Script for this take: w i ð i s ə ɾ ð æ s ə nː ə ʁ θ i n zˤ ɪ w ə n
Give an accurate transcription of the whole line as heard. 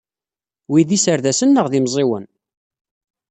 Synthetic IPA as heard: w i ð i s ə ɾ ð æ s ə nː ə ʁ ð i m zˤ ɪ w ə n